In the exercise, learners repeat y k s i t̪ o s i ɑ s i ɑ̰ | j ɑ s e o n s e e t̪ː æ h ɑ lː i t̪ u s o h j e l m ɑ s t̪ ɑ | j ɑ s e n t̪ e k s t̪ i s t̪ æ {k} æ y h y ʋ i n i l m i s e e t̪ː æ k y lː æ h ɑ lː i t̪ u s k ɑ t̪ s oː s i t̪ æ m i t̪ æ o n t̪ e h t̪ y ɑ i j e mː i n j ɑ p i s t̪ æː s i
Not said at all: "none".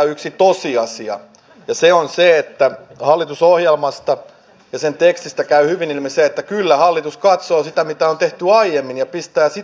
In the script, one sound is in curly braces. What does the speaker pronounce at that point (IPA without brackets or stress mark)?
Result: k